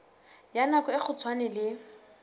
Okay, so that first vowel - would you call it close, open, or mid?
open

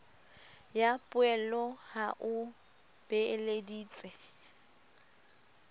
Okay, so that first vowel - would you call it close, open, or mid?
open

